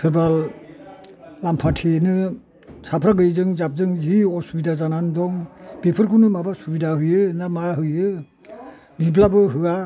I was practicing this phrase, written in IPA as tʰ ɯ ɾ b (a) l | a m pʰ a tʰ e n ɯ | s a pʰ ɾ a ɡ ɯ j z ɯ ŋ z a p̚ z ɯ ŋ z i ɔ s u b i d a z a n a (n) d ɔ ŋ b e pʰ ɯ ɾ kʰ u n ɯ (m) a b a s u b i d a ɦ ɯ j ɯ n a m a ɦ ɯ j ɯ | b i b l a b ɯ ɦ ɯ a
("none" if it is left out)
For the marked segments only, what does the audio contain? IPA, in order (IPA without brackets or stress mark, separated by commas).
a, n, m